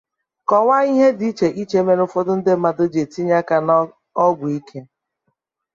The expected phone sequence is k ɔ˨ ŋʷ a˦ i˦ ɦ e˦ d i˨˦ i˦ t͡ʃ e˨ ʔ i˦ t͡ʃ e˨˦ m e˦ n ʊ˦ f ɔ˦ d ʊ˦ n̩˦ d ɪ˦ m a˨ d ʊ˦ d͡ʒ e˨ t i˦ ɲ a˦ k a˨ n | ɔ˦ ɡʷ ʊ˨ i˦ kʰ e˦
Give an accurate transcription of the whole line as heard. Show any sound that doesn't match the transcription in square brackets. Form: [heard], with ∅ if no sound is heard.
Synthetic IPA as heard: k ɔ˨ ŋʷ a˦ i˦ ɦ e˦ d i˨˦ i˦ t͡ʃ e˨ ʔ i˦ t͡ʃ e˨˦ m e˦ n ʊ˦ f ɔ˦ d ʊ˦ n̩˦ d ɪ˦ m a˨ d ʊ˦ d͡ʒ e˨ t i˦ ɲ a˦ k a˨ n | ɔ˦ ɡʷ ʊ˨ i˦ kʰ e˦